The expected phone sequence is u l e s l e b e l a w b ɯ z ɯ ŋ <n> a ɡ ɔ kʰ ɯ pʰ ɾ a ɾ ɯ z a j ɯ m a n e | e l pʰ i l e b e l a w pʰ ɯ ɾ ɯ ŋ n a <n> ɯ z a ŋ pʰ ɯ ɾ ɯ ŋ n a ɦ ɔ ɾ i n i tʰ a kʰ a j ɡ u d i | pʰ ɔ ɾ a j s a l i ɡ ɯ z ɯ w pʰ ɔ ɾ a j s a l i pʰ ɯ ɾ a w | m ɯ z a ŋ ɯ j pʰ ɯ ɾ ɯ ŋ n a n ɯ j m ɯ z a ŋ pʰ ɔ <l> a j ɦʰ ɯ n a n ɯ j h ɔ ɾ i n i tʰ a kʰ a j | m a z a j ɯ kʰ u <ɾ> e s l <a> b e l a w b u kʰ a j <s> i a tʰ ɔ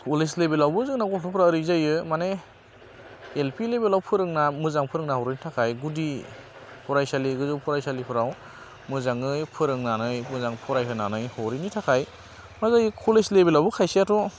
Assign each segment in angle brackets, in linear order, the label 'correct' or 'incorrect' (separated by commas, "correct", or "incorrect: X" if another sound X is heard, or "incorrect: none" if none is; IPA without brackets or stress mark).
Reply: correct, incorrect: m, incorrect: ɾ, incorrect: l, incorrect: e, correct